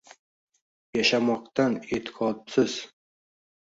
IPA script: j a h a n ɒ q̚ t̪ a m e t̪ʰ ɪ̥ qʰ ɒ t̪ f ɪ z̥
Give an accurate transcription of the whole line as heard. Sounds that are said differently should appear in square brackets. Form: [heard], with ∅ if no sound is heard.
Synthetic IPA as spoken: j a [ʃ] a [m] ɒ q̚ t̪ a [n] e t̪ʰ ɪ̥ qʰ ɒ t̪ [s] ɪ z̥